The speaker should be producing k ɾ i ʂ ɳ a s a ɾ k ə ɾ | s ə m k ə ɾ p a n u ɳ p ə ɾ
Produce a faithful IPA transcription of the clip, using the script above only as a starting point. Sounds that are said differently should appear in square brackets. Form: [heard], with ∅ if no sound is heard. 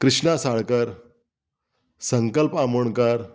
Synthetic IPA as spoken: k ɾ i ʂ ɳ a s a [ɭ] k ə ɾ | s ə [ŋ] k ə [l] p a [m] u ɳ [k] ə ɾ